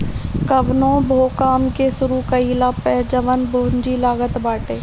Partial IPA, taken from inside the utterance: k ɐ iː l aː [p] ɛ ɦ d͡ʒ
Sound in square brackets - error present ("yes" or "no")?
no